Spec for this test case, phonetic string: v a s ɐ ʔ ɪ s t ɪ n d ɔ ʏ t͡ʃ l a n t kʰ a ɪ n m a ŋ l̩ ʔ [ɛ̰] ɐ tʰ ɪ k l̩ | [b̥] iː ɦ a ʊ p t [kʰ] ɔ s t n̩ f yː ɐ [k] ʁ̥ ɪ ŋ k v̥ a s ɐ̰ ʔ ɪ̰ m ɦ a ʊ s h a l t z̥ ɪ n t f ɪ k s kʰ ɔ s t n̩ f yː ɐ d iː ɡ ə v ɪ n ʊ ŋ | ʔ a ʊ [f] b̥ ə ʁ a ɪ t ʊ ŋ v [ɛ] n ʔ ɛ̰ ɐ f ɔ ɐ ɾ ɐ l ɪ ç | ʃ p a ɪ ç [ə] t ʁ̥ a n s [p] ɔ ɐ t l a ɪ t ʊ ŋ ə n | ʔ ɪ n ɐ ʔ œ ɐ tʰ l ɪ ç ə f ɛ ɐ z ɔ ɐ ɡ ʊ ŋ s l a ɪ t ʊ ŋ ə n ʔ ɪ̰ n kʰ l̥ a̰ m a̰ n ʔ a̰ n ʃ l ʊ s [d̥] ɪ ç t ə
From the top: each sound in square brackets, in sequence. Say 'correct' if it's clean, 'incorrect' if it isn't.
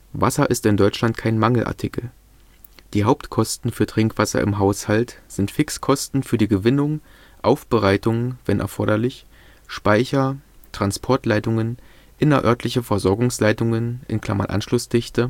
incorrect: a̰, incorrect: d̥, correct, incorrect: t, correct, correct, incorrect: ɐ, incorrect: pʰ, correct

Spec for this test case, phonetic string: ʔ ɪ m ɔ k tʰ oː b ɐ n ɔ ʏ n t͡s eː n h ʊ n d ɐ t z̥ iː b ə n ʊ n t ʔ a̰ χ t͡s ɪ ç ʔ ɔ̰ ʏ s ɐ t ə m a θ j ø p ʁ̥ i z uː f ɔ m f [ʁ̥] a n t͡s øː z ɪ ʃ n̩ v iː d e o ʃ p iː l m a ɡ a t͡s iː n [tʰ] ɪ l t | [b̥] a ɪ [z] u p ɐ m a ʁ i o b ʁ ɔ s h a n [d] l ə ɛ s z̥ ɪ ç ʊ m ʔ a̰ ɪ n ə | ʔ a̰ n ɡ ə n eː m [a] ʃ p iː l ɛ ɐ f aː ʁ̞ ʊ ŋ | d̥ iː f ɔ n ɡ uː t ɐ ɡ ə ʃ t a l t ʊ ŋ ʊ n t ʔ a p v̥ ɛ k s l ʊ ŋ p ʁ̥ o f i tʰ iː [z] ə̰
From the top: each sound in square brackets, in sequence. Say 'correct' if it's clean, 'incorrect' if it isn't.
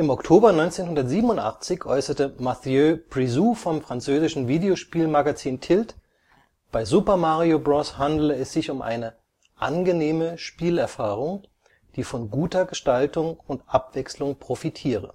correct, correct, correct, correct, correct, incorrect: ə, incorrect: ʁ

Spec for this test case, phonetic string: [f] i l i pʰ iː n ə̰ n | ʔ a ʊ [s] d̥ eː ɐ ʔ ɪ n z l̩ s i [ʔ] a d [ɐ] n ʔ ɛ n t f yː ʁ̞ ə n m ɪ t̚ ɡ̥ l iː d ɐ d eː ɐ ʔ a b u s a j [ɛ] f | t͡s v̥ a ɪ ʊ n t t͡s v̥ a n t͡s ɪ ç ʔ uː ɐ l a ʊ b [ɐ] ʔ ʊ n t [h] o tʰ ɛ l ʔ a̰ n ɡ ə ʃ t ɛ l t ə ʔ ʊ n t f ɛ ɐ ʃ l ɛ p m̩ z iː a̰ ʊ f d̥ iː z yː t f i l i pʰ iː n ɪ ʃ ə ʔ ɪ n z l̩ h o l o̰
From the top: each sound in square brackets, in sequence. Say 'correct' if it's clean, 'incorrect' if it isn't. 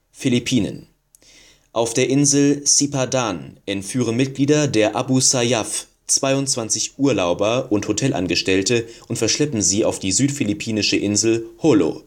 correct, incorrect: f, incorrect: p, incorrect: a, incorrect: a, correct, correct

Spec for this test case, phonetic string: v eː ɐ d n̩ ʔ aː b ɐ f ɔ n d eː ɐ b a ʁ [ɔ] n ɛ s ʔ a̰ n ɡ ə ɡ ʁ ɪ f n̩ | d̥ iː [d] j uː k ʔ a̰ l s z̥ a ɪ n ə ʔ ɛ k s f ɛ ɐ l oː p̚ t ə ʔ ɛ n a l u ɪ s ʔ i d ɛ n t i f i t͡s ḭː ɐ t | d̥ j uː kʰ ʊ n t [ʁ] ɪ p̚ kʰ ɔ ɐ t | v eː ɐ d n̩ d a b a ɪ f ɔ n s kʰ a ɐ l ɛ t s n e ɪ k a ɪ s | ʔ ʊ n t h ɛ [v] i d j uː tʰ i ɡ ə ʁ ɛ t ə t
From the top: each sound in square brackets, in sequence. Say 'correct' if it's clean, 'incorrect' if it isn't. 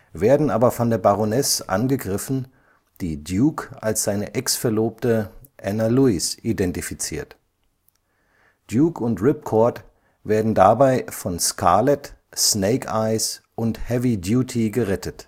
incorrect: o, correct, correct, correct

